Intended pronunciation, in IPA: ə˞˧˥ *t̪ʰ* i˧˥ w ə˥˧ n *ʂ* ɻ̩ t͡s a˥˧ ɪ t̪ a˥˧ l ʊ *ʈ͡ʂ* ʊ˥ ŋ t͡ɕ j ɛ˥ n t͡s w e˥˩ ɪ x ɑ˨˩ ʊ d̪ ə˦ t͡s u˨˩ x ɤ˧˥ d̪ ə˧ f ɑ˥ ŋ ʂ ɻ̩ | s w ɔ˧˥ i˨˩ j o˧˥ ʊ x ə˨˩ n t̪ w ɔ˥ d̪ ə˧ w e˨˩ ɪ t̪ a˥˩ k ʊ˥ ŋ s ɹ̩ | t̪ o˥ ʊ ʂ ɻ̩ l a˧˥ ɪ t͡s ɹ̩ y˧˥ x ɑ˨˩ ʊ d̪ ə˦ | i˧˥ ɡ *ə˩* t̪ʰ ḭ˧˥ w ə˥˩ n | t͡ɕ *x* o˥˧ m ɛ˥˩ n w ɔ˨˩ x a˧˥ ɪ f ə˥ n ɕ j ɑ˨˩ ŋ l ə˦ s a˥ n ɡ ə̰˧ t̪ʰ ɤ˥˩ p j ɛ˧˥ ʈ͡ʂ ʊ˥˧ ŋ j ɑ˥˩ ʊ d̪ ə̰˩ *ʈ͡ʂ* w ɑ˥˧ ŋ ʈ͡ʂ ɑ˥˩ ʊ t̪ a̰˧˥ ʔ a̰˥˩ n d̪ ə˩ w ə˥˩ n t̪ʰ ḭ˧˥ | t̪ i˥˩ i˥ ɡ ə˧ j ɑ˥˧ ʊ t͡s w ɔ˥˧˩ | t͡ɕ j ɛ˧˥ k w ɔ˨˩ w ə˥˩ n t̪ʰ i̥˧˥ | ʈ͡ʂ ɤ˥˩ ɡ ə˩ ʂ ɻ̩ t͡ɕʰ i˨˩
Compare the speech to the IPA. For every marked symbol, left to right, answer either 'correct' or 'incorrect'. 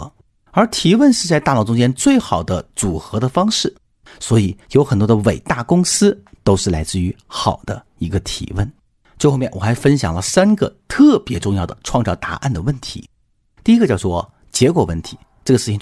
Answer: correct, correct, correct, incorrect: ə˧, correct, incorrect: ʈ͡ʂʰ

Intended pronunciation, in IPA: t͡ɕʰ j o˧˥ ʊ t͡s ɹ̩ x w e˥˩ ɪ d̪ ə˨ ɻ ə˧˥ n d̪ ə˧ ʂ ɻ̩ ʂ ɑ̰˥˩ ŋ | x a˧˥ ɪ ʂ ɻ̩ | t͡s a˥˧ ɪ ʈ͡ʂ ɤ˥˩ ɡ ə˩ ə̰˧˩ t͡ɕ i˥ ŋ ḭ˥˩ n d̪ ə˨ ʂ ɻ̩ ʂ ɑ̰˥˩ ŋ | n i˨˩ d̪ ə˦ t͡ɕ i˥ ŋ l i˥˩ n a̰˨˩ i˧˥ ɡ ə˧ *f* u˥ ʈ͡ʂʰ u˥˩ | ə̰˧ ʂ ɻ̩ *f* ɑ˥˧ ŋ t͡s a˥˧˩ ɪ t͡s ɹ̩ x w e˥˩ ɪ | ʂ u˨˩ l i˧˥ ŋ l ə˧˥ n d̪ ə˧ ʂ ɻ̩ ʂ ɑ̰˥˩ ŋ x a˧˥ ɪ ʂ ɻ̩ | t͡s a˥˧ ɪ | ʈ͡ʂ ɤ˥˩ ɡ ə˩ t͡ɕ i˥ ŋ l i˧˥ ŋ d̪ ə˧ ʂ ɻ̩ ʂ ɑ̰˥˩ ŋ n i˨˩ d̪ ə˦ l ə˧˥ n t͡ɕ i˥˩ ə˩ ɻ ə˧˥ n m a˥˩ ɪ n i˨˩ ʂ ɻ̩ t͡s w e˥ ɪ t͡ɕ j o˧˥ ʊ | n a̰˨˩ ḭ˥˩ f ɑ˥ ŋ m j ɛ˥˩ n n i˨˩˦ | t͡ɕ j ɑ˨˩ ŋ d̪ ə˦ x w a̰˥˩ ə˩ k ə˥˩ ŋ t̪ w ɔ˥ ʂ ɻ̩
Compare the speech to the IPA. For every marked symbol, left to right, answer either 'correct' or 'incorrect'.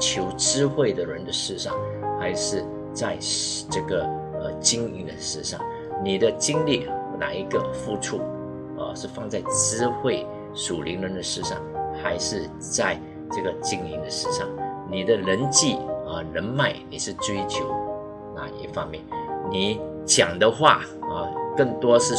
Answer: correct, correct

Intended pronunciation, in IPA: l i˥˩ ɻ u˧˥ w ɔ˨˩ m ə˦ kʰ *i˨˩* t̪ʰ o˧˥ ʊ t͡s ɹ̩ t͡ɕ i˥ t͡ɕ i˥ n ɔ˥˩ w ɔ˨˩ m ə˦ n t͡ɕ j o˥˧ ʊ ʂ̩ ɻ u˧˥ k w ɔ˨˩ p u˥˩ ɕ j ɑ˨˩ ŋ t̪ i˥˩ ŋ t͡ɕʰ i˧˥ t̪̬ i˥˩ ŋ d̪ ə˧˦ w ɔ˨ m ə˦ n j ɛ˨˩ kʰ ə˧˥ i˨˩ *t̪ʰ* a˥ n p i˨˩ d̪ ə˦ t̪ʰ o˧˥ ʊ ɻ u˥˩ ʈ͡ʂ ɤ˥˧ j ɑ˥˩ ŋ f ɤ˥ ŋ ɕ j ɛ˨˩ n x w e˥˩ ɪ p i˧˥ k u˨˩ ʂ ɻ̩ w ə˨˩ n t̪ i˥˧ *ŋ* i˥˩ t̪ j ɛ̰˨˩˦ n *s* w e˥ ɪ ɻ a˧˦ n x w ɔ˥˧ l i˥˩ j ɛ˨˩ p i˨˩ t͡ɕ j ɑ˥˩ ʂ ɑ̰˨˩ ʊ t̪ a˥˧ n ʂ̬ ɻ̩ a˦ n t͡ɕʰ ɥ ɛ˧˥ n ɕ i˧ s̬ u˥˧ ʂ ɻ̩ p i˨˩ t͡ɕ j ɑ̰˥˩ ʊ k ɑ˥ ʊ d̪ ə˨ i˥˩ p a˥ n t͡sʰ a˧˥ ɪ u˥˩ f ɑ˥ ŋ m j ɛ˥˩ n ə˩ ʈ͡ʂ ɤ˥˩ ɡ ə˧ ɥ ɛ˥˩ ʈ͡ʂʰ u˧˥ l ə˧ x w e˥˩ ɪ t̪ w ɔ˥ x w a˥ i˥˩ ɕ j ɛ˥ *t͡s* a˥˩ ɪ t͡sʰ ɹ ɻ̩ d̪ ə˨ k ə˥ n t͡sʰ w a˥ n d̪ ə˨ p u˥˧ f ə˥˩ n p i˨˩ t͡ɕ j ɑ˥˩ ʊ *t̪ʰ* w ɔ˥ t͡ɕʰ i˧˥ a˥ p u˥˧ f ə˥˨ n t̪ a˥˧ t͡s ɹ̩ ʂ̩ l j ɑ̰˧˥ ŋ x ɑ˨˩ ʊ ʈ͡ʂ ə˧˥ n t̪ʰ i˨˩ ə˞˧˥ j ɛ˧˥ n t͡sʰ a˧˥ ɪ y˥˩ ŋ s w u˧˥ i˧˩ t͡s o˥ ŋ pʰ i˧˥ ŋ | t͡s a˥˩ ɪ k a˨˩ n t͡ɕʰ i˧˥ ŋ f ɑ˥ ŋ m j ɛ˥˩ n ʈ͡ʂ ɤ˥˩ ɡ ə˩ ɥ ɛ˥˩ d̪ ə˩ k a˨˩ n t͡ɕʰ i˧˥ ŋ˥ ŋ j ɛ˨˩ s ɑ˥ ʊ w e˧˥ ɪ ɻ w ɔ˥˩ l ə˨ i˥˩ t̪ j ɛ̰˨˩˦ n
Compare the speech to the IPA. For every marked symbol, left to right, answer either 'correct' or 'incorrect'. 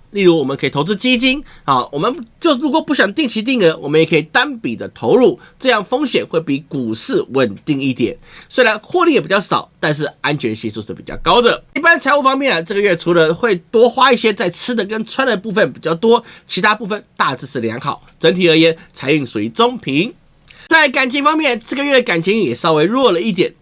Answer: correct, incorrect: t̪, correct, correct, correct, incorrect: t̪

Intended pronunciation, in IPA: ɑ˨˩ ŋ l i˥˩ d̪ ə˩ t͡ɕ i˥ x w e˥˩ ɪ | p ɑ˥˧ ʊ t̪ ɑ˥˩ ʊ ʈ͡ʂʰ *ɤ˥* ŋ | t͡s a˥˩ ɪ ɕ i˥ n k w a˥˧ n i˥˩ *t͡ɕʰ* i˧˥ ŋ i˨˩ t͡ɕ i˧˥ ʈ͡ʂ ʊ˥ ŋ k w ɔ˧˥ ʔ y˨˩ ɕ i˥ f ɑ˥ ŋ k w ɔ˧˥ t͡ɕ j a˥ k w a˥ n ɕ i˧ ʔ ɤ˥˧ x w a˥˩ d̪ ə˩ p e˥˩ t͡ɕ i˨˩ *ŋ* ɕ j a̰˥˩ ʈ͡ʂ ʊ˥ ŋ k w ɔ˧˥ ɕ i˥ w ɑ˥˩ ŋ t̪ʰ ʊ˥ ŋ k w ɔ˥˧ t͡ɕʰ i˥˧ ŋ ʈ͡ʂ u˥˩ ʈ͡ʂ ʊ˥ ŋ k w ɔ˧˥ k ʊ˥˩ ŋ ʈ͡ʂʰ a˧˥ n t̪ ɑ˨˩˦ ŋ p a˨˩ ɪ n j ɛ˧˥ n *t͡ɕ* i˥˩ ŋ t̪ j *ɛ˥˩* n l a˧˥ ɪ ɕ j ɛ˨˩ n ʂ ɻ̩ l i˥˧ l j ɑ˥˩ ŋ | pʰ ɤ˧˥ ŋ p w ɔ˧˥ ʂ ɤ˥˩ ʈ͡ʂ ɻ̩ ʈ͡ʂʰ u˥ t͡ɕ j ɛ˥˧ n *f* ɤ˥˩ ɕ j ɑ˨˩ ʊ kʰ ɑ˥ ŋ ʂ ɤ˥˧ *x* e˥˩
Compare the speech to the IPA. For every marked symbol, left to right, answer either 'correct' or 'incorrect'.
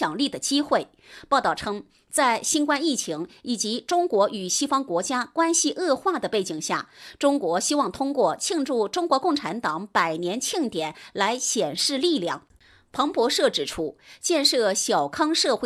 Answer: correct, correct, correct, incorrect: t͡ɕʰ, incorrect: ɛ˨˩˦, incorrect: ʂ, correct

